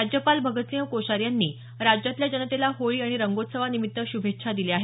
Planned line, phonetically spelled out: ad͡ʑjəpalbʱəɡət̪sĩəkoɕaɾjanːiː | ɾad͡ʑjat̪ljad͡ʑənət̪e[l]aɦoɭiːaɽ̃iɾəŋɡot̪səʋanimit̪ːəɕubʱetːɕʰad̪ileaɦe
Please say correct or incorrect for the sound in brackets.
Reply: correct